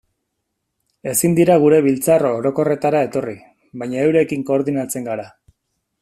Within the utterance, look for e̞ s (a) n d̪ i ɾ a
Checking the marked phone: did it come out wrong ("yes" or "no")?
yes